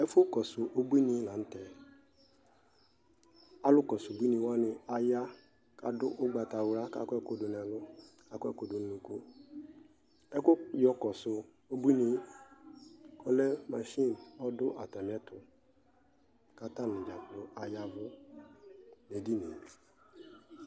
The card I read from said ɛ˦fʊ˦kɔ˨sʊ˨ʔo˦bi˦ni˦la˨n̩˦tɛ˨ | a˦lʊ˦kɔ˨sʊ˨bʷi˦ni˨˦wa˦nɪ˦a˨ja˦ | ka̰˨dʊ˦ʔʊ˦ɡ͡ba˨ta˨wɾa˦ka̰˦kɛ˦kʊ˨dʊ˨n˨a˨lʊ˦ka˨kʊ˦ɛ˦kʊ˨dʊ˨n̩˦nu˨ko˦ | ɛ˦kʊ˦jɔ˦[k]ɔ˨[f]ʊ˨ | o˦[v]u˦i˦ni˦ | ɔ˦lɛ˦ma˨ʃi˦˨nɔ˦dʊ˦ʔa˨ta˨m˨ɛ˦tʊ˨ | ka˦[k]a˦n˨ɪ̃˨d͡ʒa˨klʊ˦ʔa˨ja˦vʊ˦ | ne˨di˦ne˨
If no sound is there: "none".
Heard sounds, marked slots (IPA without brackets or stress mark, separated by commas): k, s, b, t